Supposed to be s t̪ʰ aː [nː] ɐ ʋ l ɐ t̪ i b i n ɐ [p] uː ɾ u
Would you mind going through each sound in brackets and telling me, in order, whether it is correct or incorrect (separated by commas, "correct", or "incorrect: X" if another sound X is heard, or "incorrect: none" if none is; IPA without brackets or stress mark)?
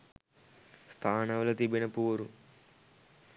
incorrect: n, correct